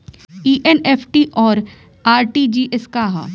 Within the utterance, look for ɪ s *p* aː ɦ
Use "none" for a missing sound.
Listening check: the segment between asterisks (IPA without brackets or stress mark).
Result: k